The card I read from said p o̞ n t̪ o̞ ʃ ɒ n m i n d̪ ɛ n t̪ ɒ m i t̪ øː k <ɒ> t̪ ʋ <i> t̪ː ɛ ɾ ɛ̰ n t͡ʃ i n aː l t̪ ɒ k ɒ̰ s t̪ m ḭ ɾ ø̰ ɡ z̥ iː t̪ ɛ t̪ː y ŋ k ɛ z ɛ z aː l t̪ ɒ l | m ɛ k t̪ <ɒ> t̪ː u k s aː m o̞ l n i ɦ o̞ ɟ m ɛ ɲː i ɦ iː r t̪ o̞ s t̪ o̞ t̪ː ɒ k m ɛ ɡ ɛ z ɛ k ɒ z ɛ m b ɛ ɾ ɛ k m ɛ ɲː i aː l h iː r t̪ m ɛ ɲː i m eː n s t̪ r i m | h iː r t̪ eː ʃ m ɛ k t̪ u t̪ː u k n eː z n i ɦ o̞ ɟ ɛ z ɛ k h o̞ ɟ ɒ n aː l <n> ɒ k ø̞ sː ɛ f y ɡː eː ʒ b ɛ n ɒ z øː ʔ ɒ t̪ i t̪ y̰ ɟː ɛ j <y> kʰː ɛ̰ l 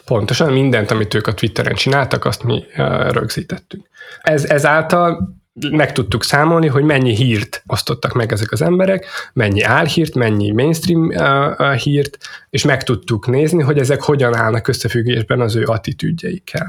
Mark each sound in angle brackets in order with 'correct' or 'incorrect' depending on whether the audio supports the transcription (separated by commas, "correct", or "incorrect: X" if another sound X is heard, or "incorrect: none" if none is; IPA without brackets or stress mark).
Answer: correct, correct, incorrect: u, correct, incorrect: i